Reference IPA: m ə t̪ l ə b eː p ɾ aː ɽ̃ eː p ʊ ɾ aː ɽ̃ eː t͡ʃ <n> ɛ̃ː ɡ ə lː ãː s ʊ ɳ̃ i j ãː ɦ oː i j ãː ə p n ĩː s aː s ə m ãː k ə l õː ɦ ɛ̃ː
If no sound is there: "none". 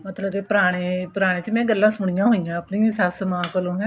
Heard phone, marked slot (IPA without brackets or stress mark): m